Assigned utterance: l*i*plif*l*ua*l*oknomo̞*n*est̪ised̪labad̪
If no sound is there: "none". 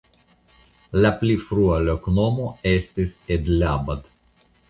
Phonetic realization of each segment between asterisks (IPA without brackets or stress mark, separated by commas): a, ɾ, l, none